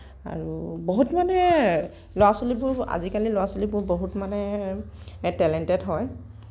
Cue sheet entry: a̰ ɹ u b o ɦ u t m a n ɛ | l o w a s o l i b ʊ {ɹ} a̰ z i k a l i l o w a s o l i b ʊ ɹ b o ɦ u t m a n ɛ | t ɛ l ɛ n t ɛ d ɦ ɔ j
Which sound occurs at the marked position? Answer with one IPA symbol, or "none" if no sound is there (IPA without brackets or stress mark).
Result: ɹ